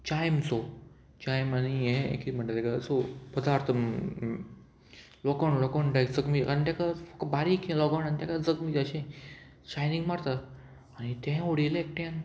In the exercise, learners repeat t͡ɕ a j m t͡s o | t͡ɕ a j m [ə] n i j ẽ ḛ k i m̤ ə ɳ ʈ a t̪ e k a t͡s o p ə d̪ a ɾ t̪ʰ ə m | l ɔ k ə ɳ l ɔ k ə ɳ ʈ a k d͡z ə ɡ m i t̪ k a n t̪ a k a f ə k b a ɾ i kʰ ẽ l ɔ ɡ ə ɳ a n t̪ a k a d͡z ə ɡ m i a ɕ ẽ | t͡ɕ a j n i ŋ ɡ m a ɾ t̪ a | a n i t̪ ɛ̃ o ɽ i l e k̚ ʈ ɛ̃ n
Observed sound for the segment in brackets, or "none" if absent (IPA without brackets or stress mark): a